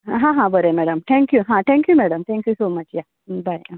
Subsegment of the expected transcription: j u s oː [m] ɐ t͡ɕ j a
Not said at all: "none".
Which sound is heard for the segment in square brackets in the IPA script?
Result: m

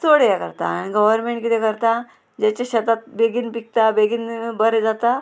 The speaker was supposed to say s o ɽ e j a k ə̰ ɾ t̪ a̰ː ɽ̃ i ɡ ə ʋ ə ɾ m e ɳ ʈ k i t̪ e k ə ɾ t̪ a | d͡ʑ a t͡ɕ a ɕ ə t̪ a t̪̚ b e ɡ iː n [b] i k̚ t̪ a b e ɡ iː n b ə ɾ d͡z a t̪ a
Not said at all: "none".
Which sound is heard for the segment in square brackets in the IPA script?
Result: p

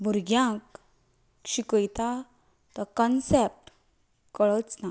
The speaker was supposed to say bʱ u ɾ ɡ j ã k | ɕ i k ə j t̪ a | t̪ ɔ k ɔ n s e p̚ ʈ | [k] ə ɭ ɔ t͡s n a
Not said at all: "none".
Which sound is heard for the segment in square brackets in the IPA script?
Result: k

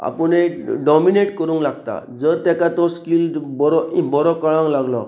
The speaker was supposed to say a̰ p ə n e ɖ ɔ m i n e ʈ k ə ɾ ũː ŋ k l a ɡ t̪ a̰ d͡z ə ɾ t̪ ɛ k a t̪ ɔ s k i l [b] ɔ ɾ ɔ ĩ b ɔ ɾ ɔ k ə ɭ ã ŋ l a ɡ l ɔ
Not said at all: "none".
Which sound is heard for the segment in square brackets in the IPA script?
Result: b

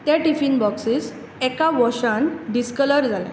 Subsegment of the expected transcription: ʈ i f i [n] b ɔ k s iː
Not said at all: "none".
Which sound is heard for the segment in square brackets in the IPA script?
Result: n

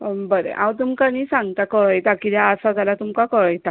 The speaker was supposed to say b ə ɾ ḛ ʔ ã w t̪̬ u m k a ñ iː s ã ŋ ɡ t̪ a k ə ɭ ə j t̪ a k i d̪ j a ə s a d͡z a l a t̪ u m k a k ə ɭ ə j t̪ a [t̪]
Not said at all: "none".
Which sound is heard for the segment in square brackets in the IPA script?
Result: none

